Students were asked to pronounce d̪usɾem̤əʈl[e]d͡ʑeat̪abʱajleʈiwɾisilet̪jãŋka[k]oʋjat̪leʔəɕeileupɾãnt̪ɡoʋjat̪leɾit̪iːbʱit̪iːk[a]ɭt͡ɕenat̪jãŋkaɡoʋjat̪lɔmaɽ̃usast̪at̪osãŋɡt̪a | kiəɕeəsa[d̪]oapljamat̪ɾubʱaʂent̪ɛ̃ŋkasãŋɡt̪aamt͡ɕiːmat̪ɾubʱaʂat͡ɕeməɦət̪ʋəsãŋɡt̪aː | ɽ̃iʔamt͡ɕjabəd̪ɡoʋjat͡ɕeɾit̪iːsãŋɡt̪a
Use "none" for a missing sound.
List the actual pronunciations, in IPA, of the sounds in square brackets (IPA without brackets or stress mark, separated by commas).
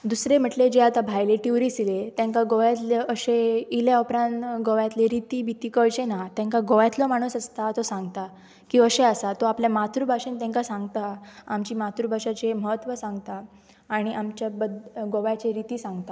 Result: e, ɡ, ə, t̪